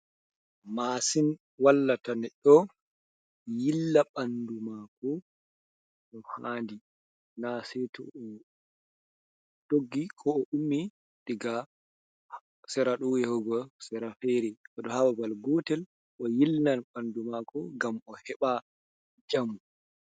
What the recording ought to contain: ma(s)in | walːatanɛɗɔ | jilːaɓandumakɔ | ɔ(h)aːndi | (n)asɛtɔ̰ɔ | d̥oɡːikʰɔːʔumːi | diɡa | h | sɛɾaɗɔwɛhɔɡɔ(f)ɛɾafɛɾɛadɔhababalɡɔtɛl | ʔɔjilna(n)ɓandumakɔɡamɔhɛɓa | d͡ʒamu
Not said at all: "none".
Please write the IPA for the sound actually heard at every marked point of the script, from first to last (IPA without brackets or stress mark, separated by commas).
s, h, n, s, n